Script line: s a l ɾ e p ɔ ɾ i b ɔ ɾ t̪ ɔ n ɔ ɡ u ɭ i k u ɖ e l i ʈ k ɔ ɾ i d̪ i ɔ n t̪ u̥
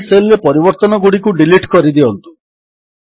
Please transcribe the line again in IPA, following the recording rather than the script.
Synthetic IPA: s e l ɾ e p ɔ ɾ i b ɔ ɾ t̪ ɔ n ɔ ɡ u ɽ i k u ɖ i l i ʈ k ɔ ɾ i d̪ i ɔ n t̪ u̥